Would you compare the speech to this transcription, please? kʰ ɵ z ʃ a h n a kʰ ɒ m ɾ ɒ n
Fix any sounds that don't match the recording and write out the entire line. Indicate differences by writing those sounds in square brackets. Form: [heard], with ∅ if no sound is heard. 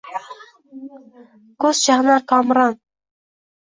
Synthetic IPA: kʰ ɵ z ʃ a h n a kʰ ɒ m ɾ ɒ n